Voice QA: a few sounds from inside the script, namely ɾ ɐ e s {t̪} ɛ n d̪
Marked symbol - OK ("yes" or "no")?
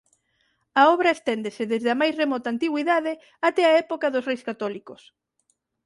yes